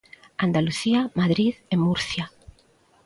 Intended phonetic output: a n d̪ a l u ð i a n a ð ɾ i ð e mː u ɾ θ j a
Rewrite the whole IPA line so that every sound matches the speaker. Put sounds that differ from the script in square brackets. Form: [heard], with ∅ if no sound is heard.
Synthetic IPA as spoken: a n d̪ a l u [θ] i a [m] a ð ɾ i ð e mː u ɾ θ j a